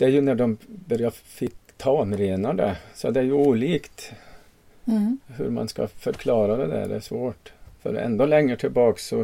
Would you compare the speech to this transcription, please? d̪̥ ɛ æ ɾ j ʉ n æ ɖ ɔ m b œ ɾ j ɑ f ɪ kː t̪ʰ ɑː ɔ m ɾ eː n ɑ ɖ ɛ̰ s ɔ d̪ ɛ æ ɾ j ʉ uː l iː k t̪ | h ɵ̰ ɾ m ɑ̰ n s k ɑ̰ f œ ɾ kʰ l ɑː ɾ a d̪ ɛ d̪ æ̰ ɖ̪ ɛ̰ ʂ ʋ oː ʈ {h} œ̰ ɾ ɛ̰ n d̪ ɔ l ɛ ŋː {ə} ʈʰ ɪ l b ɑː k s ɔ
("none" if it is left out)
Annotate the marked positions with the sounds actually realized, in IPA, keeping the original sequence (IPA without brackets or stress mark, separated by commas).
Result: f, ə